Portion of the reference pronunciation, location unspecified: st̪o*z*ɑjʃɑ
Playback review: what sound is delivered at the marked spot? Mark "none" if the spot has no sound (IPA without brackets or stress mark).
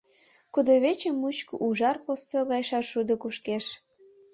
ɣ